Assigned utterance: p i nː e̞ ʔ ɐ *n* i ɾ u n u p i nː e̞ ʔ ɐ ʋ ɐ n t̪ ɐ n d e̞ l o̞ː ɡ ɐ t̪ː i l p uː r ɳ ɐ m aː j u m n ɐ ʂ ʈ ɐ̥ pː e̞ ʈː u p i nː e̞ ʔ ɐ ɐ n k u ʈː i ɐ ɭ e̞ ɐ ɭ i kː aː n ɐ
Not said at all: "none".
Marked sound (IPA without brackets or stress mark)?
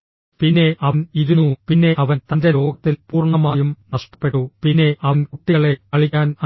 n